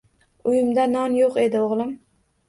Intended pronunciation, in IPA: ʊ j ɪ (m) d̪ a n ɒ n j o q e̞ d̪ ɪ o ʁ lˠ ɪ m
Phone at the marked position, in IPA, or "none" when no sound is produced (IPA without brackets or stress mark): m